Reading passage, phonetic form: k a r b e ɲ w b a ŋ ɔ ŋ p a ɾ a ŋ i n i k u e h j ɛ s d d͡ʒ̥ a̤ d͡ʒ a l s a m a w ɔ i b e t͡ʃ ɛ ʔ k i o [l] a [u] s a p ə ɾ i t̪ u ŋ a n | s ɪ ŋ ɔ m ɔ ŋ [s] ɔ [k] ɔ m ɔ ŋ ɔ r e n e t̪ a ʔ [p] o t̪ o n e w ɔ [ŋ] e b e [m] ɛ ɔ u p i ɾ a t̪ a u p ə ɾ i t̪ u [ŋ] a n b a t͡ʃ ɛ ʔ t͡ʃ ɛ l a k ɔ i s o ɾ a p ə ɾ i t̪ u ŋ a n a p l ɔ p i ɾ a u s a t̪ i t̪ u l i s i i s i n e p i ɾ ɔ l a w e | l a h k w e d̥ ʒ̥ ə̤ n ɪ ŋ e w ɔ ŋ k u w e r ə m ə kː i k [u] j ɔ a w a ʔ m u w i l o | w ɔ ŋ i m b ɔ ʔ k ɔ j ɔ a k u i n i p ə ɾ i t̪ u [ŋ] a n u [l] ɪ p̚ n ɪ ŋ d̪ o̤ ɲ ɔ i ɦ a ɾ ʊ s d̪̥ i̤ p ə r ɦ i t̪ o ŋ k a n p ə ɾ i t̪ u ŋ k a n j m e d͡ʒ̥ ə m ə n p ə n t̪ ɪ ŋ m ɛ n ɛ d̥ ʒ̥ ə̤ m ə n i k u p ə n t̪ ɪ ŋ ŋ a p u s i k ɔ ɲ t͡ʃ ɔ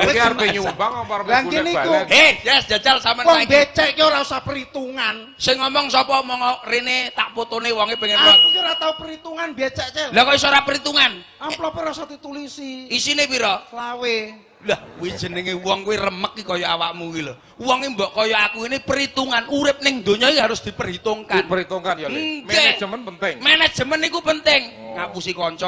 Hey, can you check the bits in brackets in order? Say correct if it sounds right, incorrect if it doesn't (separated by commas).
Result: incorrect, correct, correct, incorrect, correct, correct, incorrect, correct, incorrect, correct, incorrect